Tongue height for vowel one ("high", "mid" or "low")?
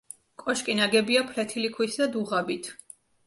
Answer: mid